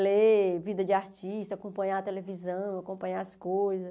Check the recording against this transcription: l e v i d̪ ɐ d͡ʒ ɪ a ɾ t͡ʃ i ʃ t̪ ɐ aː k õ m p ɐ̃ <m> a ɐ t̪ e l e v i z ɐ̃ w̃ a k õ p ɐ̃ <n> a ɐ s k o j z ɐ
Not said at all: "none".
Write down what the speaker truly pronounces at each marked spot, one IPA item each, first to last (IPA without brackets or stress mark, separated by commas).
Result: ɲ, ɲ